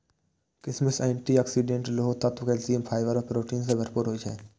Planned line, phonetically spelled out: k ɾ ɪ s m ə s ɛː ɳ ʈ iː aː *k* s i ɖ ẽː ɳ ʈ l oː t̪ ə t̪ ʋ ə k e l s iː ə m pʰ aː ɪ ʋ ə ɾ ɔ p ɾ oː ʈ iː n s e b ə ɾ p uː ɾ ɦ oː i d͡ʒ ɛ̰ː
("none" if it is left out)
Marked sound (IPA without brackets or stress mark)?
k